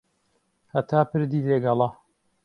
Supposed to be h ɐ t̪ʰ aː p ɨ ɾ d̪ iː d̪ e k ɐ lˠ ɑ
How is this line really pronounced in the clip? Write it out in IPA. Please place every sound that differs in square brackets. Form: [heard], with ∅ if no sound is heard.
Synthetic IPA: h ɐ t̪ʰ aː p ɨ ɾ d̪ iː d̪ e [ɡ] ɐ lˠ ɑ